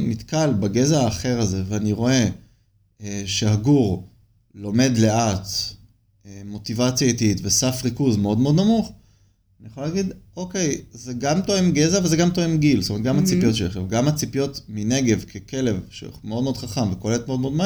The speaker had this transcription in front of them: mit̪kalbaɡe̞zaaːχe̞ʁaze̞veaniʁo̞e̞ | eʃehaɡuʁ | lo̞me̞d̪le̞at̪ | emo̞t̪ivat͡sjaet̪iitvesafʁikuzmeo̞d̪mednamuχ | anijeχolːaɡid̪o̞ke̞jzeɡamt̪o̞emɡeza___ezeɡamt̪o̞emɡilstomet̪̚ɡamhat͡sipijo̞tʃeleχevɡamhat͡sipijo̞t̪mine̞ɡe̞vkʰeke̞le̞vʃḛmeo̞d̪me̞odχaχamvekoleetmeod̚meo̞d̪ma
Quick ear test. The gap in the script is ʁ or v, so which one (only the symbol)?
v